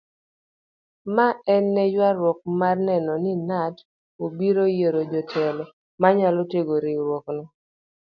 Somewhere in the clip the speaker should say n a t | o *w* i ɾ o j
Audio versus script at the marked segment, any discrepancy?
yes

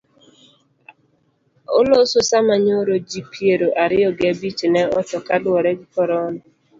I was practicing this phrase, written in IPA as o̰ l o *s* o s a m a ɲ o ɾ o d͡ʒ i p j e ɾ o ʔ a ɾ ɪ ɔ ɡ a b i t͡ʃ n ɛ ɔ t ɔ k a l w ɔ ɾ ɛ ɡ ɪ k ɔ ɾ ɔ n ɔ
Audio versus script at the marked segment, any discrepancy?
no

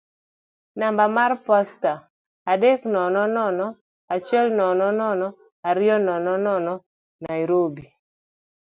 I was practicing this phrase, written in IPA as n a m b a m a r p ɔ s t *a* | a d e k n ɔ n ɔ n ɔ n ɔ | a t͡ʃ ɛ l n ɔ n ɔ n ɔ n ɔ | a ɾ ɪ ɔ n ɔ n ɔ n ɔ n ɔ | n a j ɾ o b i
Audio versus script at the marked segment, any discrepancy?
no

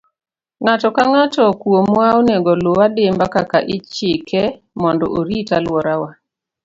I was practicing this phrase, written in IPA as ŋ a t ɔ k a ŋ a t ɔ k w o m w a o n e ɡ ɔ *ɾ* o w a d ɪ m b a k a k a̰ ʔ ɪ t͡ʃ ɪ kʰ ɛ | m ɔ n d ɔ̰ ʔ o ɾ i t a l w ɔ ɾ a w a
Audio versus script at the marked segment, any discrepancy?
yes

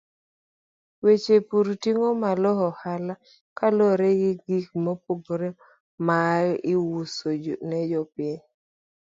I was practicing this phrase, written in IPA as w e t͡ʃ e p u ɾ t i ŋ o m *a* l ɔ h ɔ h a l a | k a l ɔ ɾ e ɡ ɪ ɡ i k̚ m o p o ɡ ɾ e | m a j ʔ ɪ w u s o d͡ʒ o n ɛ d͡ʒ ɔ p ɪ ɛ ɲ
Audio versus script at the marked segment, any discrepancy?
no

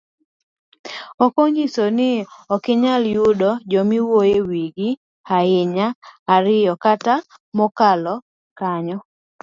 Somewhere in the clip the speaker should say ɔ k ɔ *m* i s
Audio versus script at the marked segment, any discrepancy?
yes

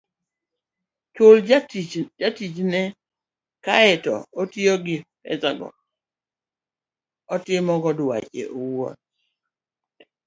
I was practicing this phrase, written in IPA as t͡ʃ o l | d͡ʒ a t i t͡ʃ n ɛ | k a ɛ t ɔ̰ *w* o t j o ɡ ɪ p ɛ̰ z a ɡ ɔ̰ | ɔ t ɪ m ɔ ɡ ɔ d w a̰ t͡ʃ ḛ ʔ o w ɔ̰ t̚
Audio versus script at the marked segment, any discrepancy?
yes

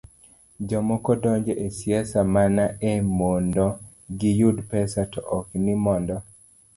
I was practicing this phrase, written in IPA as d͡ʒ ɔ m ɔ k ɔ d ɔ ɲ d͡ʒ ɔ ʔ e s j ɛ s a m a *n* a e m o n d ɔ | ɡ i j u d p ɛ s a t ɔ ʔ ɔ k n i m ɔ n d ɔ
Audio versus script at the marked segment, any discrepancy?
no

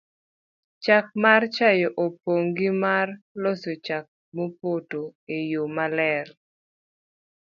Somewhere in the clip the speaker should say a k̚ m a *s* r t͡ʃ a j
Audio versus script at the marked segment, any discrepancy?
yes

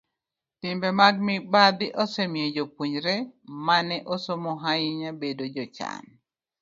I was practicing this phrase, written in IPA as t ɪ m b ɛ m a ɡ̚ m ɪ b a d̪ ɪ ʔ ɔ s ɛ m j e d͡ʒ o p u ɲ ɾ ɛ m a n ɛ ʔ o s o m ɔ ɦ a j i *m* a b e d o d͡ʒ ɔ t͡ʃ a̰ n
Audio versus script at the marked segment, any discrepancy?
yes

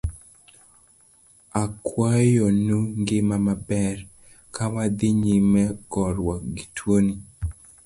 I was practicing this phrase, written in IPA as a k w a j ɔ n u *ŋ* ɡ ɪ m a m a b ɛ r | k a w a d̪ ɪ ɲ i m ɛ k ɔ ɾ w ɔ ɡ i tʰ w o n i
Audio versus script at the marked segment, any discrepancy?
no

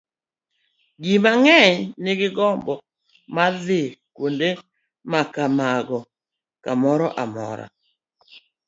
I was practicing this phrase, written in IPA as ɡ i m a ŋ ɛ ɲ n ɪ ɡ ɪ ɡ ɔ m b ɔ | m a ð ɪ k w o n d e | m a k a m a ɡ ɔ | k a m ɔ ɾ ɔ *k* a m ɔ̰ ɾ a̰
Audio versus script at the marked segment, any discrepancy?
yes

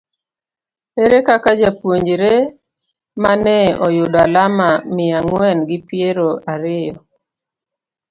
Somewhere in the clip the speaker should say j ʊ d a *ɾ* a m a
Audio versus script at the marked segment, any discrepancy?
yes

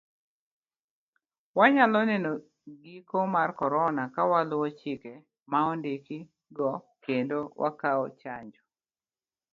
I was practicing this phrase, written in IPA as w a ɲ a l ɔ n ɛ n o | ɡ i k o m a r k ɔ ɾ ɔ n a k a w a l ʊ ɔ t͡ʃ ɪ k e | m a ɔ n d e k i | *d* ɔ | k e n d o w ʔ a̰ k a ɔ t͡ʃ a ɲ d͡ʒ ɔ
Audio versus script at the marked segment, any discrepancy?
yes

